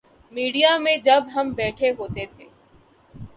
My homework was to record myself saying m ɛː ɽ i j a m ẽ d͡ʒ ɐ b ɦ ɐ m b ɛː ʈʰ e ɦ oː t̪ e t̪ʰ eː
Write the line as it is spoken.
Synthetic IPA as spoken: m iː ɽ i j a m ẽ d͡ʒ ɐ b ɦ ɐ m b ɛː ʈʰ e ɦ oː t̪ e t̪ʰ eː